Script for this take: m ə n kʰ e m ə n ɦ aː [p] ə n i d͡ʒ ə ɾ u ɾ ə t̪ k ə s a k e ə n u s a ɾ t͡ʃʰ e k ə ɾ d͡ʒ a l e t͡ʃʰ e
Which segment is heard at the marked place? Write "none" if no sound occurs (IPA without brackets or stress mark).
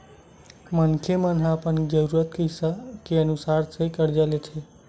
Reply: p